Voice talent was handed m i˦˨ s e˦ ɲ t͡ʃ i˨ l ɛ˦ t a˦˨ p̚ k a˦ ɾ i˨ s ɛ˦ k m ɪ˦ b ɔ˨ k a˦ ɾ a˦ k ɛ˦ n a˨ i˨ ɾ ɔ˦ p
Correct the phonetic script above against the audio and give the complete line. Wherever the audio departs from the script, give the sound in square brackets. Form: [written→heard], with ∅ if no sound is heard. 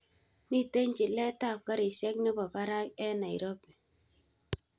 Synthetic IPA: m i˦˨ [s→t] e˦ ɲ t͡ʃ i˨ l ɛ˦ t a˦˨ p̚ k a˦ ɾ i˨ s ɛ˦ k [m→n] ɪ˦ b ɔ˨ k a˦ ɾ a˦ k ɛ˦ n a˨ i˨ ɾ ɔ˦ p